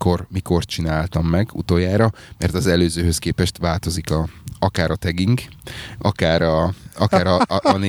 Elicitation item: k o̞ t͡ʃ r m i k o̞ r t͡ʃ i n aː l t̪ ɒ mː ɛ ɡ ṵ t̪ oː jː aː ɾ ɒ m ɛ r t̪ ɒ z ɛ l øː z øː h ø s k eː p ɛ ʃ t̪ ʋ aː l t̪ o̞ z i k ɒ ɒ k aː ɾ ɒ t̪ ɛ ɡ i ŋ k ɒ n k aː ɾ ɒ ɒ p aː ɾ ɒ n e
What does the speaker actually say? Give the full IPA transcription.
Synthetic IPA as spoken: k o̞ r m i k o̞ r t͡ʃ i n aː l t̪ ɒ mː ɛ ɡ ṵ t̪ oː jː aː ɾ ɒ m ɛ r t̪ ɒ z ɛ l øː z øː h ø s k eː p ɛ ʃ t̪ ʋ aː l t̪ o̞ z i k ɒ ɒ k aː ɾ ɒ t̪ ɛ ɡ i ŋ k ɒ k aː ɾ ɒ ɒ k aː ɾ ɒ n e